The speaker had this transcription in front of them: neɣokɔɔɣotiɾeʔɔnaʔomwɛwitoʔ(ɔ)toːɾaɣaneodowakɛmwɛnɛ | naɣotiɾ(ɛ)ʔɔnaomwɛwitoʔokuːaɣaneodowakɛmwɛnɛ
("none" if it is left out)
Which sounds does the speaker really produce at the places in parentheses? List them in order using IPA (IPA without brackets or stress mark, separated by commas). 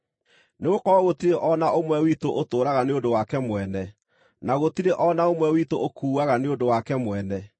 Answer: o, e